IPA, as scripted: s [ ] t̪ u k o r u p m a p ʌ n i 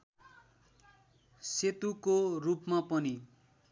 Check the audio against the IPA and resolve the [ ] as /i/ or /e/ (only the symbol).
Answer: e